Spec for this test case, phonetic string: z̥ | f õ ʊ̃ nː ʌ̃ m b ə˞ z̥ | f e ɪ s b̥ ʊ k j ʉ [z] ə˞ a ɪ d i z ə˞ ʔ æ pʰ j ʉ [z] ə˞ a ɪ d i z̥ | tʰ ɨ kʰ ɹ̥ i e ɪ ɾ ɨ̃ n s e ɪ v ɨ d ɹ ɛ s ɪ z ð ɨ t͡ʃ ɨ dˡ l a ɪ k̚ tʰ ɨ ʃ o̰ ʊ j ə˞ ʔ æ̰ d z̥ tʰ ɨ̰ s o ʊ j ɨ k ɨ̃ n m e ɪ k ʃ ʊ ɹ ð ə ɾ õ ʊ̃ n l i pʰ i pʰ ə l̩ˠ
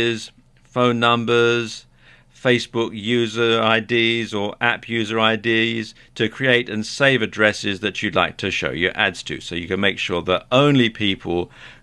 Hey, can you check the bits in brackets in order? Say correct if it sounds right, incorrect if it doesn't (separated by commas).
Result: correct, correct